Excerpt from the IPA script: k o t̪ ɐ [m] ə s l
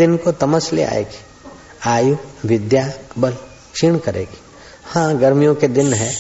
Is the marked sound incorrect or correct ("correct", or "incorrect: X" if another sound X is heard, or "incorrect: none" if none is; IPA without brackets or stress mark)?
correct